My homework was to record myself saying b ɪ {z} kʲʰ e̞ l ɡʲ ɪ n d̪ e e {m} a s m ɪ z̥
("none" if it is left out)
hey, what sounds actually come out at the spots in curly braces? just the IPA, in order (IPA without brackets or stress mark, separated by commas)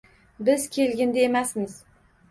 z, m